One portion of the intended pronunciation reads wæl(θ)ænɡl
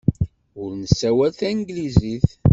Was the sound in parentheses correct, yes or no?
yes